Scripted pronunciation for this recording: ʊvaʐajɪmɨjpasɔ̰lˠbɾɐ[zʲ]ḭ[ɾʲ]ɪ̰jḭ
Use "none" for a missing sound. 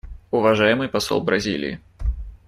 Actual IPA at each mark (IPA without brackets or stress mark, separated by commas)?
zʲ, lʲ